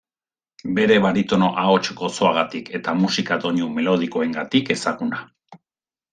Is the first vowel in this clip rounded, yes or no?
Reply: no